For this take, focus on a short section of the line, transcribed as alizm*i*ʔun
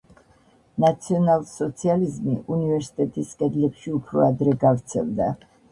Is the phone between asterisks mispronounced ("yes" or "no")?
no